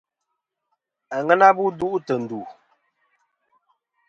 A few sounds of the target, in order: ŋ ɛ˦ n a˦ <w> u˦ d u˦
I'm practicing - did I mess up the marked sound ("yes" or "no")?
yes